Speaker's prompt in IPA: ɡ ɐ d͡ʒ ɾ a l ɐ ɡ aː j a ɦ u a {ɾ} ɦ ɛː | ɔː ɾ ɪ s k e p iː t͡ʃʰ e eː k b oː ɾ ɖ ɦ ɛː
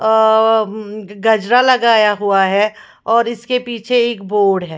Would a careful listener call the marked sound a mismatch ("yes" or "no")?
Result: yes